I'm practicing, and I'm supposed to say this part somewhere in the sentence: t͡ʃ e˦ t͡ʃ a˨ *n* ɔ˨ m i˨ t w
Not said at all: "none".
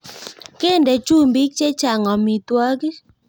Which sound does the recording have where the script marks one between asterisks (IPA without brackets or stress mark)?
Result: ŋ